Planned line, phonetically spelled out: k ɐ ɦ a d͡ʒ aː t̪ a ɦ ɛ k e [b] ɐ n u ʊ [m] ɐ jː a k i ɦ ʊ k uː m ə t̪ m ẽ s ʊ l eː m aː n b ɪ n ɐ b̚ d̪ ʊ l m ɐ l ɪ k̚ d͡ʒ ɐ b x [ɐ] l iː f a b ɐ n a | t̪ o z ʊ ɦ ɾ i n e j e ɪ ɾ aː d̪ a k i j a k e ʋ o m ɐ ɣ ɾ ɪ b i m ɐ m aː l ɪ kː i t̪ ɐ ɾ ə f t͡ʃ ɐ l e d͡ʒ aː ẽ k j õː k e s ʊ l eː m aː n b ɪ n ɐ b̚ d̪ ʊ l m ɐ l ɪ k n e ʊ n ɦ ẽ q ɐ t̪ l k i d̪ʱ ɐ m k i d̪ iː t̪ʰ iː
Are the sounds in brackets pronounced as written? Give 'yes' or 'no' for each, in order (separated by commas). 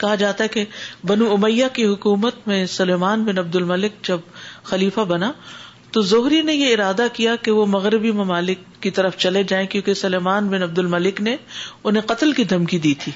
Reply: yes, yes, yes